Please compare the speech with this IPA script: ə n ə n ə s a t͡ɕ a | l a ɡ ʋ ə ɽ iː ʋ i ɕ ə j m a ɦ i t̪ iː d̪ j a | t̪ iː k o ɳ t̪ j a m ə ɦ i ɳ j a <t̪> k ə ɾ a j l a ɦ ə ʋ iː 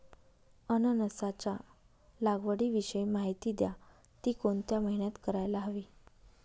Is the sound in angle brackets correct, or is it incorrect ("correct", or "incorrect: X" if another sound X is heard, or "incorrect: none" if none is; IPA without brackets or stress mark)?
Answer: correct